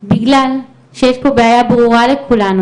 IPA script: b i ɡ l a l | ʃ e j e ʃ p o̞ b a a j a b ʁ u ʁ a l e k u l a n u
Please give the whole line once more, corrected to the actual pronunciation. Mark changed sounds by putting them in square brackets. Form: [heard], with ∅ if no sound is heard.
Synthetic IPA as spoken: b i ɡ l a l | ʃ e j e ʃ p o̞ b [e] a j a b ʁ u ʁ a l e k u l a n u

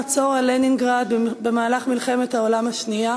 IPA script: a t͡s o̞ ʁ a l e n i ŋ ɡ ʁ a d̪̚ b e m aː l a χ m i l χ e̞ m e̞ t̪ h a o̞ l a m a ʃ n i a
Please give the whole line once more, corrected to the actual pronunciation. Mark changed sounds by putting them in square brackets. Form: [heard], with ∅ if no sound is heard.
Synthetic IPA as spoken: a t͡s o̞ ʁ a l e n i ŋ ɡ ʁ a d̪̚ b e m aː l a χ m i l χ e̞ m e̞ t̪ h a o̞ l a m a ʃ n i a

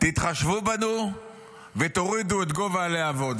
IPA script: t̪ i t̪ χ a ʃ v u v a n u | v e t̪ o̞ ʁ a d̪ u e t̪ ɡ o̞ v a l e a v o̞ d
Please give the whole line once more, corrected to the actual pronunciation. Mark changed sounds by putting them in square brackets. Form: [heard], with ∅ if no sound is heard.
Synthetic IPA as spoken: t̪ i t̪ χ a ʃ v u [b] a n u | v e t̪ o̞ ʁ [i] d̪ u e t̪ ɡ o̞ v a l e a v o̞ d

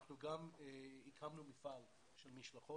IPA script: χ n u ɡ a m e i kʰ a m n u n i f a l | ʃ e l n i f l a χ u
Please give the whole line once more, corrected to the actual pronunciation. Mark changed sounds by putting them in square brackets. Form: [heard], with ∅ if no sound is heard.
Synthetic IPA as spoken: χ n u ɡ a m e i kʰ a m n u [m] i f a l | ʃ e l [m] i [ʃ] l a χ [o]

